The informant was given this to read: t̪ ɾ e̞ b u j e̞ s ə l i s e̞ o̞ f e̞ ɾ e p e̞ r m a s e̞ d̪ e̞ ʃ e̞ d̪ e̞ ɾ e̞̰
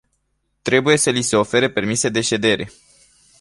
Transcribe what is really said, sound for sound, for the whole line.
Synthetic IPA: t̪ ɾ e̞ b u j e̞ s ə l i s e̞ o̞ f e̞ ɾ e p e̞ r m i s e̞ d̪ e̞ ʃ e̞ d̪ e̞ ɾ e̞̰